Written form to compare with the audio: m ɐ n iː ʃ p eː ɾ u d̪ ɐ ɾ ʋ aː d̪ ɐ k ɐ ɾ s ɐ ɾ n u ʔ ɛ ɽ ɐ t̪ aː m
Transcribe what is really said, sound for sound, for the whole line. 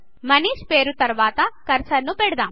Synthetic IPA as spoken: m ɐ n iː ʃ p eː ɾ u t̪ ɐ ɾ ʋ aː t̪ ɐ k ɐ ɾ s ɐ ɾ n u p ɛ ɽ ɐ d̪ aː m